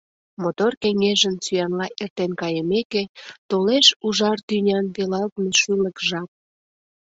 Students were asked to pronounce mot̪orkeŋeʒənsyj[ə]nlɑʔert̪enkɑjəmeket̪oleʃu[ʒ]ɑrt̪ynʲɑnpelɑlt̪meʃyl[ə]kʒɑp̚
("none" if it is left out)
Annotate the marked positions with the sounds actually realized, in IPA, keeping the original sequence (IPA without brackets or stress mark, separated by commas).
ɑ, ʒ, ə